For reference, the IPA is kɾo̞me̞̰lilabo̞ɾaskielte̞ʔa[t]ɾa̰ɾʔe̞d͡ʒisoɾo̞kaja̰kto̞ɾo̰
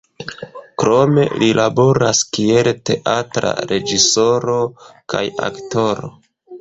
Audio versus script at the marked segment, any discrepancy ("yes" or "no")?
no